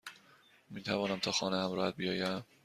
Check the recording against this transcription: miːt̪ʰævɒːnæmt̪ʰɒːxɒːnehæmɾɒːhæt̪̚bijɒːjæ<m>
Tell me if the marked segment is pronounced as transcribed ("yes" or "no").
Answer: yes